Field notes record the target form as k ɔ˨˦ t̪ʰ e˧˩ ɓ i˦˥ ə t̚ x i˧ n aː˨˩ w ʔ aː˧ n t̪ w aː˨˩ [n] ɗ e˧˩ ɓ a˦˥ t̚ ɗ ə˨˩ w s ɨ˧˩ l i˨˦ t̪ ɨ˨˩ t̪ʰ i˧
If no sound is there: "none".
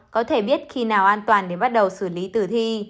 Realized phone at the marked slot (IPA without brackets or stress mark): n